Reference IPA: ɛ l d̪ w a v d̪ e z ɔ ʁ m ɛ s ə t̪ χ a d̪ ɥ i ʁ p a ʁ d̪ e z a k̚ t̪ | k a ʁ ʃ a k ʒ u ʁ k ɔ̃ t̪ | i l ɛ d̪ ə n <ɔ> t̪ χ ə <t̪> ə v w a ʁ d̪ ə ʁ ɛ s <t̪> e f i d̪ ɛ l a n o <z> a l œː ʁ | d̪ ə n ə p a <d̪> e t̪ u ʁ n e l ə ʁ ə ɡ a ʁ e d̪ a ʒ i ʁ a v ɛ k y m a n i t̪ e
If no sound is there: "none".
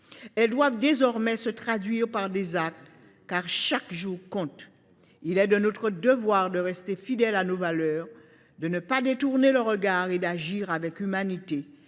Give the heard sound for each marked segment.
o, d̪, t̪, v, d̪

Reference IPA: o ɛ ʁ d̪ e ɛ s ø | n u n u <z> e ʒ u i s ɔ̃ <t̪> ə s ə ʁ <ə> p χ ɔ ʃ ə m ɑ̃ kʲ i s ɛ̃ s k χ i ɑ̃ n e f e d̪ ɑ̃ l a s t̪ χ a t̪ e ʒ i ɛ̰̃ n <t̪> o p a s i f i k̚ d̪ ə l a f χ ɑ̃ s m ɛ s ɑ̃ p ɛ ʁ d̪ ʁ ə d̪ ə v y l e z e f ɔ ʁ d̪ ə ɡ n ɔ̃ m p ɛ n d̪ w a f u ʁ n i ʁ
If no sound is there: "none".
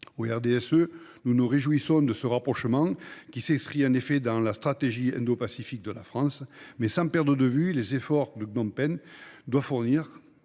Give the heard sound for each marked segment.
ʁ, d̪, a, d̪

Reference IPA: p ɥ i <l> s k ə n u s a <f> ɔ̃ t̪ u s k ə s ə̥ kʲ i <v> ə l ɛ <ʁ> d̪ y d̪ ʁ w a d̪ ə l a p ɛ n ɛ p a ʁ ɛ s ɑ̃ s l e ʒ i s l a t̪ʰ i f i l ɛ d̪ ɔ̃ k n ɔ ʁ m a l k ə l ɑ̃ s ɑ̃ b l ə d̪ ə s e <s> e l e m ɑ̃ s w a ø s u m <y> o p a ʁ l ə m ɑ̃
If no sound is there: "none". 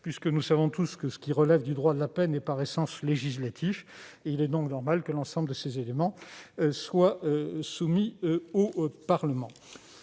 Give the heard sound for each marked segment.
none, v, ʁ, v, z, i

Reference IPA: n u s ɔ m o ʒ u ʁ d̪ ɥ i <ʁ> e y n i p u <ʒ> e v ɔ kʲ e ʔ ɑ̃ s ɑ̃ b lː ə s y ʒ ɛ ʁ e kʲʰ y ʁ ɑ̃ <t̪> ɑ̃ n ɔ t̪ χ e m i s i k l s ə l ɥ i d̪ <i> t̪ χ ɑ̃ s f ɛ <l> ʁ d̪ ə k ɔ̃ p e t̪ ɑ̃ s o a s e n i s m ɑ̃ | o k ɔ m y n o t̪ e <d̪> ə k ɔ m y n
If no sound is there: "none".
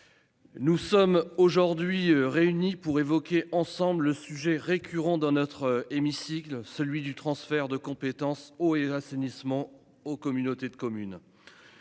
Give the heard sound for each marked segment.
ʁ, ʁ, d̪, y, none, d̪

